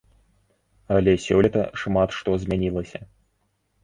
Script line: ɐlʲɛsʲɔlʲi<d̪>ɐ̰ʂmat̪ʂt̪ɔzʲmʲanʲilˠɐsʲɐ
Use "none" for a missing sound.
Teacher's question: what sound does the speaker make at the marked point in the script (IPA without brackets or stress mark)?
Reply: t̪